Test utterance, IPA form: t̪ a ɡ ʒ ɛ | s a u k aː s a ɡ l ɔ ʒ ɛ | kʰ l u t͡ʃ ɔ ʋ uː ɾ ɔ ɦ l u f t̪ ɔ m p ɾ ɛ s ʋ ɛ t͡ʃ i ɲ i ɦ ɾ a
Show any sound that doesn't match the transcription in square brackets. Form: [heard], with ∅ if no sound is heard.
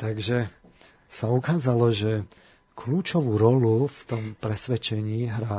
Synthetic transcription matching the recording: t̪ a ɡ ʒ ɛ | s a u k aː [z] a [∅] l ɔ ʒ ɛ | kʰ l [uː] t͡ʃ ɔ ʋ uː ɾ ɔ [∅] l u f t̪ ɔ m p ɾ ɛ s ʋ ɛ t͡ʃ [ɛ] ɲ [iː] ɦ ɾ a